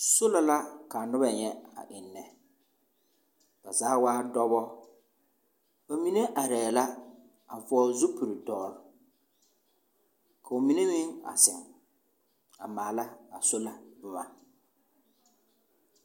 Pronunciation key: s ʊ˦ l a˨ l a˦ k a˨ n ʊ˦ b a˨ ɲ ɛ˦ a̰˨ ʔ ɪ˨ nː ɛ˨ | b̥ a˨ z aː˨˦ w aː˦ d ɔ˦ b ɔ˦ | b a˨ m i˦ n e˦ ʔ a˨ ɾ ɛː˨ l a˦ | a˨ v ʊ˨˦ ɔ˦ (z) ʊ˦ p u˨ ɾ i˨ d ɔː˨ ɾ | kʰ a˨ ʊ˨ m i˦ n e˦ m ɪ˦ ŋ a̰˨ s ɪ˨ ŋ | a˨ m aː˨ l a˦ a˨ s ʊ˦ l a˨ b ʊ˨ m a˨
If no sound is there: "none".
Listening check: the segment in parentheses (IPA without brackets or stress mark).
z